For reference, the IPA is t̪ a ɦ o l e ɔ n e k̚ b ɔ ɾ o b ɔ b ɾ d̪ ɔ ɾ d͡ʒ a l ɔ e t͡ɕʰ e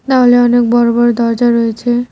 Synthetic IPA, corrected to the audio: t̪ a ɦ o l e ɔ n e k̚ b ɔ ɾ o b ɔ ɾ d̪ ɔ ɾ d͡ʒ a ɾ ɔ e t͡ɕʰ e